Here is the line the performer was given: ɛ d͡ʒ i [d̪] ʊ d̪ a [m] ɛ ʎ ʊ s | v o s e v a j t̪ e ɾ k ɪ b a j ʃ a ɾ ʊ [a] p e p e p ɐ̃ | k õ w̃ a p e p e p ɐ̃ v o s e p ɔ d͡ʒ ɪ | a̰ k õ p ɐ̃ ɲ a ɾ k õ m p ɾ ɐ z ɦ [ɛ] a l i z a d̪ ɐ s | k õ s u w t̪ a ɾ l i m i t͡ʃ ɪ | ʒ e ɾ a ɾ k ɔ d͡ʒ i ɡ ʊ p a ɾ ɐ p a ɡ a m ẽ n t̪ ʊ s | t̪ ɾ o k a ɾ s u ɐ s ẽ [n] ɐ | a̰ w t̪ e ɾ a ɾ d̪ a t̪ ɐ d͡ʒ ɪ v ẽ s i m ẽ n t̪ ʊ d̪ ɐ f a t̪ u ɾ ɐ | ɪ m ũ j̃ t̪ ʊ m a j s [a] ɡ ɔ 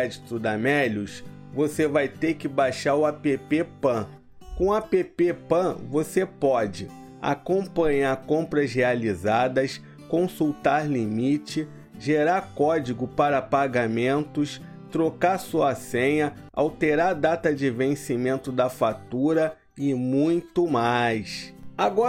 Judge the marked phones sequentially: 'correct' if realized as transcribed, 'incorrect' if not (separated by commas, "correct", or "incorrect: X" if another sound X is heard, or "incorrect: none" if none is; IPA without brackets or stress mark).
incorrect: t̪, correct, correct, incorrect: e, incorrect: ɲ, correct